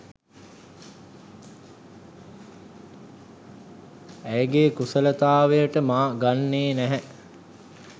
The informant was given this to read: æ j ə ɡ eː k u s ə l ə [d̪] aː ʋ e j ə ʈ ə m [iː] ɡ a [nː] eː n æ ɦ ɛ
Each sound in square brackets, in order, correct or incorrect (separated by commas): incorrect, incorrect, correct